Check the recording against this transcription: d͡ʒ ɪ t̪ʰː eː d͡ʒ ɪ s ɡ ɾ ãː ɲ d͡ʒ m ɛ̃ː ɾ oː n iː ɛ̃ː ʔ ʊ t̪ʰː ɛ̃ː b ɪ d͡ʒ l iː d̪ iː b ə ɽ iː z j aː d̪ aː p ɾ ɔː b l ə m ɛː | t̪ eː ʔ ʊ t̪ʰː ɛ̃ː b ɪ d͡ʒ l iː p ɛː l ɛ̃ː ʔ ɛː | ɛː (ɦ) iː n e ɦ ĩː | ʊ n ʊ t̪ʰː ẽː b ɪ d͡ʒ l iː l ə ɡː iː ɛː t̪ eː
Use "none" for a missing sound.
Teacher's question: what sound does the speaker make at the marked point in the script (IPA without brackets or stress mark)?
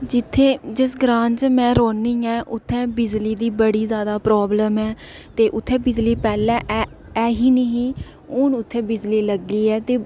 ɦ